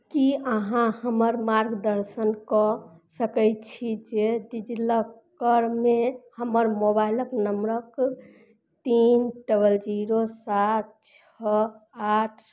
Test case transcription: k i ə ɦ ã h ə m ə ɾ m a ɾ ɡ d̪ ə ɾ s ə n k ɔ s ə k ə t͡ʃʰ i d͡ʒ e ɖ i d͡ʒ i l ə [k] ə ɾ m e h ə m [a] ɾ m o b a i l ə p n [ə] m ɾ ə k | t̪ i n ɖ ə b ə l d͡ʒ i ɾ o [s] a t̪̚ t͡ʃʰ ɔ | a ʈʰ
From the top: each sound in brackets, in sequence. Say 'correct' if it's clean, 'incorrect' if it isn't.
correct, incorrect: ə, correct, correct

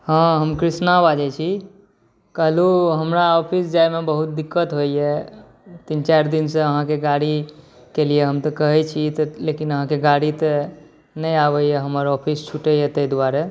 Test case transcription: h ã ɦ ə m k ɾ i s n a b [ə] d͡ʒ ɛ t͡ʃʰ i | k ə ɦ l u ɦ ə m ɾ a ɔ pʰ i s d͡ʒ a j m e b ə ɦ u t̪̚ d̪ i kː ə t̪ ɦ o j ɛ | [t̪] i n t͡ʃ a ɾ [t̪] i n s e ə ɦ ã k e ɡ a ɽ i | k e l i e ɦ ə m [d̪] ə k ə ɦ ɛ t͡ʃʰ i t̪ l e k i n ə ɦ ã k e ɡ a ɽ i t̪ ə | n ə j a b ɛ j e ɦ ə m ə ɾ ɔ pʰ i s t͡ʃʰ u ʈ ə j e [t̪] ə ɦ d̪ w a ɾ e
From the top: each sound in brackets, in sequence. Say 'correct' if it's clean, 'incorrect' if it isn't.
incorrect: a, correct, incorrect: d̪, incorrect: t̪, correct

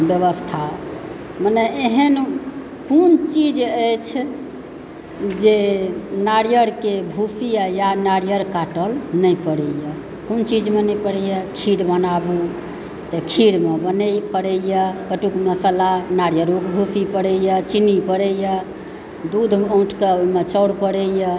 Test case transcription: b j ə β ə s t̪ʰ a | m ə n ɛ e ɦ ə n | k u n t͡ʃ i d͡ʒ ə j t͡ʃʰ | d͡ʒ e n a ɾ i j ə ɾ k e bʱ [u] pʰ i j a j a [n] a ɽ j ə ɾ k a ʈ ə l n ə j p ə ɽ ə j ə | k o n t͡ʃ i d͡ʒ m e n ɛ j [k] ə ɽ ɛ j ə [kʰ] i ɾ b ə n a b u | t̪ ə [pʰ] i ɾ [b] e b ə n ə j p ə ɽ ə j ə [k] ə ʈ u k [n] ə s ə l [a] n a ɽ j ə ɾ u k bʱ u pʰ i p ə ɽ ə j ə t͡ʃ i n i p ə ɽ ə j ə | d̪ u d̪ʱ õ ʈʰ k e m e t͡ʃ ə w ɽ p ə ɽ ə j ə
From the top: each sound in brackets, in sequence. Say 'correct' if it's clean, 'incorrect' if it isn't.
correct, correct, incorrect: p, correct, incorrect: kʰ, incorrect: m, correct, incorrect: m, correct

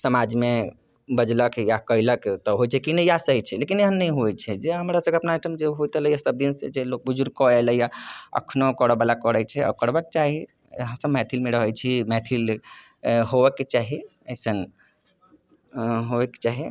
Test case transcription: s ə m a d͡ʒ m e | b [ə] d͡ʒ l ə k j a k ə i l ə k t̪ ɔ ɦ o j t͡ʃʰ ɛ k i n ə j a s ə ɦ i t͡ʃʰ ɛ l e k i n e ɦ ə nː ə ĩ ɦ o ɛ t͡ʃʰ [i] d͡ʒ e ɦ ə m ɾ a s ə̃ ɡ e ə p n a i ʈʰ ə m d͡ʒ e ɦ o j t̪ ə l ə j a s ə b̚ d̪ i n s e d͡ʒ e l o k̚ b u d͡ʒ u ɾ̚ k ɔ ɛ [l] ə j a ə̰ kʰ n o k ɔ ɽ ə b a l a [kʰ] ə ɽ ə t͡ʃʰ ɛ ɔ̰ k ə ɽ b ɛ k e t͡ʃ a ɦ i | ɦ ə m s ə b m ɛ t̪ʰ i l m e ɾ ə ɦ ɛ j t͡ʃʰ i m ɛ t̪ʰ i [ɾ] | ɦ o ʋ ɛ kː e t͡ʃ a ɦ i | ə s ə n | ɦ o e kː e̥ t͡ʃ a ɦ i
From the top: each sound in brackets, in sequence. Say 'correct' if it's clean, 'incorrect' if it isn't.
correct, incorrect: ɛ, correct, incorrect: k, incorrect: l

